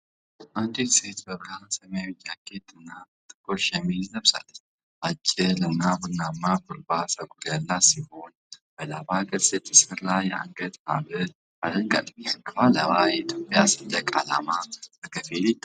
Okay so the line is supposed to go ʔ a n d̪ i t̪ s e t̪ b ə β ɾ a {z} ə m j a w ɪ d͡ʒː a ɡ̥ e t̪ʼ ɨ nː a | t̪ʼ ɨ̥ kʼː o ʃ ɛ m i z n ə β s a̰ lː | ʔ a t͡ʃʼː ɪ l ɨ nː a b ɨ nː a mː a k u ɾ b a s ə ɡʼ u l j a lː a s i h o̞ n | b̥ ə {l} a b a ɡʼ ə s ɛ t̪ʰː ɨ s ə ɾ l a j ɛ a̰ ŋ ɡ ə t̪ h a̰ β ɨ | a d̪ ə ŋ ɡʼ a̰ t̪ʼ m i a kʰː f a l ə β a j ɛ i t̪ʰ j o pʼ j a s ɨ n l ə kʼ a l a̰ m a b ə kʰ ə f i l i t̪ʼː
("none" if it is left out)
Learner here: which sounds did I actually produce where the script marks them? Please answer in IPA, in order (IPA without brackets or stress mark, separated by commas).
s, l